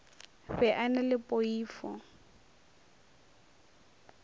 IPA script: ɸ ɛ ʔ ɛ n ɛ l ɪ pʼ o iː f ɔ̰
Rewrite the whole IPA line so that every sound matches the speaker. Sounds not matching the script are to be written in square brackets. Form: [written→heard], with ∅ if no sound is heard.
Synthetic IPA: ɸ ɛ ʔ [ɛ→a] n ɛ l ɪ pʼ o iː f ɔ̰

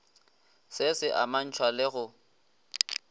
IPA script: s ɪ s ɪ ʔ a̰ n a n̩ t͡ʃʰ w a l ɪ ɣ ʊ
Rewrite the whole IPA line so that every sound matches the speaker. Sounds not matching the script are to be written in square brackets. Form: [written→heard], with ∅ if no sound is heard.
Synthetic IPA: s ɪ s ɪ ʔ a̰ [n→m] a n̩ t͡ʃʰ w a l ɪ ɣ ʊ

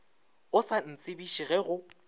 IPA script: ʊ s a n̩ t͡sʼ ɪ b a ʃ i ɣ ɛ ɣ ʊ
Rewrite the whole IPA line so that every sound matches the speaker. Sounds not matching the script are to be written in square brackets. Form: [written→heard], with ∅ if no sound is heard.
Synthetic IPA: ʊ s a n̩ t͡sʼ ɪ b [a→i] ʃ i ɣ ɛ ɣ ʊ

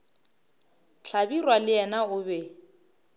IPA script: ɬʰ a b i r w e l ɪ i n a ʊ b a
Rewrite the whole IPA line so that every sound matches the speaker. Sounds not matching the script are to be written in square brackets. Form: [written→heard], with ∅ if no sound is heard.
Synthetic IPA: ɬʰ a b i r w [e→a] l ɪ [i→ɛ] n a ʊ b [a→ɛ]

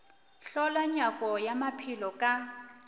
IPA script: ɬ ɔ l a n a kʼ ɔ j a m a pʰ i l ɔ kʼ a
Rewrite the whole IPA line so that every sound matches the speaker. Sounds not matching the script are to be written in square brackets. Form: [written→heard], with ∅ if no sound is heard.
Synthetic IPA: ɬ ɔ l a [n→ɲ] a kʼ ɔ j a m a pʰ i l ɔ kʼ a

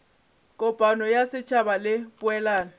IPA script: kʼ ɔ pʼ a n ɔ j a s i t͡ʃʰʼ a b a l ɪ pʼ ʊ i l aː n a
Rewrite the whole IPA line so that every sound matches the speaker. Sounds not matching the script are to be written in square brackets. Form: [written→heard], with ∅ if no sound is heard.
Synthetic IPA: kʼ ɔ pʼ a n ɔ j a s [i→ɪ] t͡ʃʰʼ a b a l ɪ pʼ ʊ [i→ɛ] l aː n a

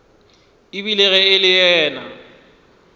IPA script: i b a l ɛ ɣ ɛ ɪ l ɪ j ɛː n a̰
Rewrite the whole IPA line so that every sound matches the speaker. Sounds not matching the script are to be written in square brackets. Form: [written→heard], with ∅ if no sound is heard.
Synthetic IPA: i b [a→i] l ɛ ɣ ɛ ɪ l ɪ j ɛː n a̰

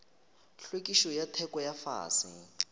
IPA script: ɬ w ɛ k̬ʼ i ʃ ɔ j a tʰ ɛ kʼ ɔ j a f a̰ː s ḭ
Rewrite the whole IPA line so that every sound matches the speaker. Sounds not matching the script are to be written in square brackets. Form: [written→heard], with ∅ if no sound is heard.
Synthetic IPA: ɬ w [ɛ→e] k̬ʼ i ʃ ɔ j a tʰ ɛ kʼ ɔ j a f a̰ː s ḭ

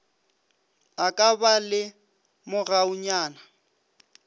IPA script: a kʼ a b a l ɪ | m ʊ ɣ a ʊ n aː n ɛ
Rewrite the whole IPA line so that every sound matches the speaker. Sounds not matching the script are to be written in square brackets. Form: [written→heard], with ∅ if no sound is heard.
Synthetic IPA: a kʼ a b a l ɪ | m ʊ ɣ a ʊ [n→ɲ] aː n [ɛ→a]

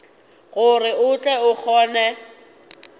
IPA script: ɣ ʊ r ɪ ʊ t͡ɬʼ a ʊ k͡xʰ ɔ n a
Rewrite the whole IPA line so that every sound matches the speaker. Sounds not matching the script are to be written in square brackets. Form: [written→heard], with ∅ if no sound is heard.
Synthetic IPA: ɣ ʊ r ɪ ʊ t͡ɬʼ [a→ɛ] ʊ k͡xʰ [ɔ→ɔː] n [a→ɛ]

